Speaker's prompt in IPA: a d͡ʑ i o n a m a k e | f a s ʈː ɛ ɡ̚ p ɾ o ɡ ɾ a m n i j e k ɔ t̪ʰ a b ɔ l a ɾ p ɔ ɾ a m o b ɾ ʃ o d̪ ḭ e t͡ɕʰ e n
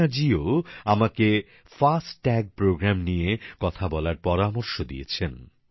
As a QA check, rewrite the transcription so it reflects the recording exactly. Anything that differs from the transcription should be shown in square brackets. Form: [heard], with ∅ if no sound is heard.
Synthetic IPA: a d͡ʑ i o [∅] a m a k e | f a s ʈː ɛ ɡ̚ p ɾ o ɡ ɾ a m n i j e k ɔ t̪ʰ a b ɔ l a ɾ p ɔ ɾ a m o [∅] ɾ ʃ o d̪ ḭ e t͡ɕʰ e n